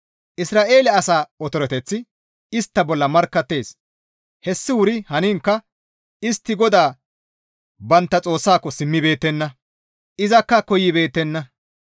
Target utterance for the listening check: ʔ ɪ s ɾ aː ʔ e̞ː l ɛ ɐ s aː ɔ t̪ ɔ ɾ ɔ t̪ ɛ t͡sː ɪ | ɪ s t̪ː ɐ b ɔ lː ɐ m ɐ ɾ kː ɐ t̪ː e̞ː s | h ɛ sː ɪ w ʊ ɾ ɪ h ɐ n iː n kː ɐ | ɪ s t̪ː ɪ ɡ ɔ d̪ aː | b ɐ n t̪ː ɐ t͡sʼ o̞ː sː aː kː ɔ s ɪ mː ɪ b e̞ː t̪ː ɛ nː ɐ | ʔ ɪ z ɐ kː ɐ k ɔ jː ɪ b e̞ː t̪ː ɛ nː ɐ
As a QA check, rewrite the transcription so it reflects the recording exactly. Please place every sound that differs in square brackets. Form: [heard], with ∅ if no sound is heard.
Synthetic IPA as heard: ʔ ɪ s ɾ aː ʔ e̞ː l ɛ ɐ s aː ɔ t̪ ɔ ɾ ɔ t̪ ɛ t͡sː ɪ | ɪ s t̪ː ɐ b ɔ lː ɐ m ɐ ɾ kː ɐ t̪ː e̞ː s | h ɛ sː ɪ w ʊ ɾ ɪ h ɐ n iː [ŋ] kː ɐ | ɪ s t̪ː ɪ ɡ ɔ d̪ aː | b ɐ n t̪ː ɐ t͡sʼ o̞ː sː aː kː ɔ s ɪ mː ɪ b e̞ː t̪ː ɛ nː ɐ | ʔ ɪ z ɐ kː ɐ k ɔ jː ɪ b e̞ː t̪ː ɛ nː ɐ